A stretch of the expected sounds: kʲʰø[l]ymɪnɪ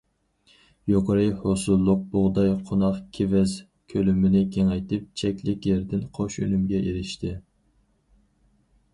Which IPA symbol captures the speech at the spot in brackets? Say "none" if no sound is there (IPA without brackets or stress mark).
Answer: l